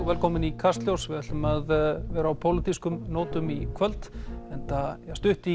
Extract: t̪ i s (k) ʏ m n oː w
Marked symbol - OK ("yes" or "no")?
yes